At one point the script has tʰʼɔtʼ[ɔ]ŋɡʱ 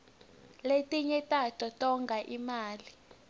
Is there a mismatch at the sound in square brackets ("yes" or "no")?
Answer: no